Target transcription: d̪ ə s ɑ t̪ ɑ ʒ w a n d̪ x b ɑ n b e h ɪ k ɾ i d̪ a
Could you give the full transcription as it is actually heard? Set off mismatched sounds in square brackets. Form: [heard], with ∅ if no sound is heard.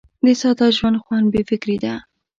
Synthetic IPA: d̪ ə s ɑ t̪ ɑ ʒ w a n d̪ x [w] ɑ n b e [f] ɪ k ɾ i d̪ a